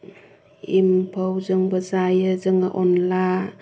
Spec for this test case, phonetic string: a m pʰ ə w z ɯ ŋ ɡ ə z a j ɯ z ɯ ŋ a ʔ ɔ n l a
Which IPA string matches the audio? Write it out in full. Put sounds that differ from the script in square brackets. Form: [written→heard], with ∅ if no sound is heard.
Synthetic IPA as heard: [a→i] m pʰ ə w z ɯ ŋ [ɡ→b] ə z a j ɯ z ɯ ŋ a ʔ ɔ n l a

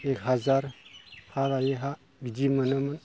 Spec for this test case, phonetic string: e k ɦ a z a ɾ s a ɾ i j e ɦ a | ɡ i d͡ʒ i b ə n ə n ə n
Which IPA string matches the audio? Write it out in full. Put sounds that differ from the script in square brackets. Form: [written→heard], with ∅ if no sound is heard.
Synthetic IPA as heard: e k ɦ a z a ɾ [s→h] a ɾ [i→a] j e ɦ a | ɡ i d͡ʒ i [b→m] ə n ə [n→m] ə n

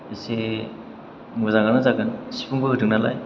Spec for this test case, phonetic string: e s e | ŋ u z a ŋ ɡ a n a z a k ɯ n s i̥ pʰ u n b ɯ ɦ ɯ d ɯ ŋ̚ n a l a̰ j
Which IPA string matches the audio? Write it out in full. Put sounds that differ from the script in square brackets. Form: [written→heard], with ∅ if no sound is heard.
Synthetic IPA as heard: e s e | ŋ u z a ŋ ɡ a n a z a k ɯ n s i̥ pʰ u [n→ŋ] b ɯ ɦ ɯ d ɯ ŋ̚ n a l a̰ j

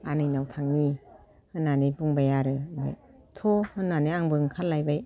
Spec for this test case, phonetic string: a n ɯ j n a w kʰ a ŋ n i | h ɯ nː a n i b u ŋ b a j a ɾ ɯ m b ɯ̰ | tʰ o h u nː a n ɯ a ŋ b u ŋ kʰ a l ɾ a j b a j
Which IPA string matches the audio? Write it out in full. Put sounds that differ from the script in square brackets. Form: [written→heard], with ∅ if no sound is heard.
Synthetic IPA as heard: a n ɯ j n a w [kʰ→tʰ] a ŋ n i | h ɯ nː a n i b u ŋ b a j a ɾ ɯ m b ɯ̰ | tʰ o h [u→ɯ] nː a n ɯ a ŋ b [u→ɯ] ŋ kʰ a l [ɾ→l] a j b a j

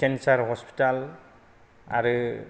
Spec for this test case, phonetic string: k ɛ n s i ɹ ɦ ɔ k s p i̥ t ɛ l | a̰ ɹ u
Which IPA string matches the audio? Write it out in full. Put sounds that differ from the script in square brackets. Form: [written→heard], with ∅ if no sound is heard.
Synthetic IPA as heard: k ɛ n s [i→a] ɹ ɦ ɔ [k→∅] s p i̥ t [ɛ→a] l | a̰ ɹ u

